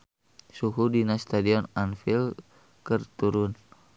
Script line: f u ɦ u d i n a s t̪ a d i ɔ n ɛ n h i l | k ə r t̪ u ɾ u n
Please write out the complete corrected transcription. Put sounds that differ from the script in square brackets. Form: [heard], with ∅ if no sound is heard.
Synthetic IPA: [s] u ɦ u d i n a s t̪ a d i ɔ n [a] n [f] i l | k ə r t̪ u ɾ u n